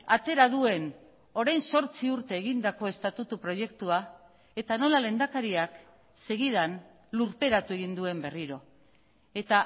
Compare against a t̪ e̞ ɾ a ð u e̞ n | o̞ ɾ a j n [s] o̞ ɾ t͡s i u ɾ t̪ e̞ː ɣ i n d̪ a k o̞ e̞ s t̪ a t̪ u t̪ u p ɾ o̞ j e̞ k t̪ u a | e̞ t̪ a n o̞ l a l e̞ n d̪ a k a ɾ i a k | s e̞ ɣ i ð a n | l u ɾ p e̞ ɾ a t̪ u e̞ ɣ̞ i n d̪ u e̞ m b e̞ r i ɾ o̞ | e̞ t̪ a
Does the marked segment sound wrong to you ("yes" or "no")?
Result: no